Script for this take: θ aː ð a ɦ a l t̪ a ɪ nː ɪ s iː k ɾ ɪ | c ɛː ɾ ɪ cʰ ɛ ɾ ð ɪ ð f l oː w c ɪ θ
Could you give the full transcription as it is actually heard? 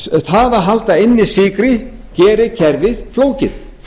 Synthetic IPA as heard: θ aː ð a ɦ a l t̪ a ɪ nː ɪ s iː k ɾ ɪ | c ɛː ɾ ɪ cʰ ɛ ɾ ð ɪ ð f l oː w c ɪ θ